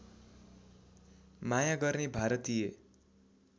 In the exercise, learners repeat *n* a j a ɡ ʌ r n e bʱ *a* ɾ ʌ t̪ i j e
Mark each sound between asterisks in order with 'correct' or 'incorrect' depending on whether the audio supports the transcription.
incorrect: m, correct

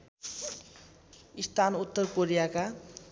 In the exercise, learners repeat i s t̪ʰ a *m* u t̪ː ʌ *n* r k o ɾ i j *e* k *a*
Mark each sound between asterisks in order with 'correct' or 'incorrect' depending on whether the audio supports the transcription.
incorrect: n, incorrect: none, incorrect: a, correct

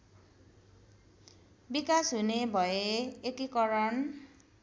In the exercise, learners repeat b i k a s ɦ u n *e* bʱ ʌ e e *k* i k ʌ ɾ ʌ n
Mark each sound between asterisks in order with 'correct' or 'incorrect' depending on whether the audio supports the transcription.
correct, correct

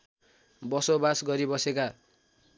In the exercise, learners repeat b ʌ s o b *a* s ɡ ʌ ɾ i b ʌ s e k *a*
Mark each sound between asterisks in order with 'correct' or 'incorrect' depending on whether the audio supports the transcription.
correct, correct

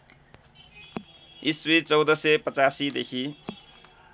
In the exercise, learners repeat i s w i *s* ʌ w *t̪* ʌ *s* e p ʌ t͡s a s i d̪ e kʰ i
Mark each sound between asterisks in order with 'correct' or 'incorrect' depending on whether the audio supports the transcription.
incorrect: t͡s, incorrect: d̪, correct

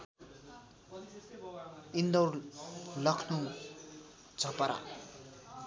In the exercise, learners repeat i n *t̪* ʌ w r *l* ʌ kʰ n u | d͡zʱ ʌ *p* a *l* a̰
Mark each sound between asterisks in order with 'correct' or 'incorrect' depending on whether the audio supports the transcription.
incorrect: d̪, correct, correct, incorrect: ɾ

